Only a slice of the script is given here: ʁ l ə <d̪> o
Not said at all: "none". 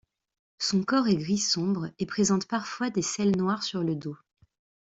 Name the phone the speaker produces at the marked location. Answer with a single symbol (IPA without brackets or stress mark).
d̪